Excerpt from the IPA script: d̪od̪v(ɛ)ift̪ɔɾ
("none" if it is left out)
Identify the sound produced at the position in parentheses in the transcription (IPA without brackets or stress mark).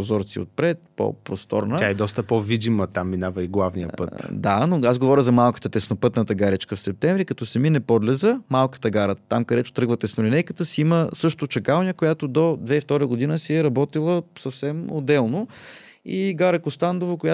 ɛ